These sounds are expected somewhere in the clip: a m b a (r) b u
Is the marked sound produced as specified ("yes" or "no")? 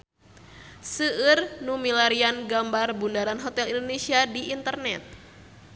yes